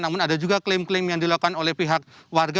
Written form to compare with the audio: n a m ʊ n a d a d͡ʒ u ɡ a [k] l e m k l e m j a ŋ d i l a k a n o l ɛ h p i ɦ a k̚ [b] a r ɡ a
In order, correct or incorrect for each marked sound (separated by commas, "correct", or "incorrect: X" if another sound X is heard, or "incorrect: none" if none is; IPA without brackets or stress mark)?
correct, incorrect: w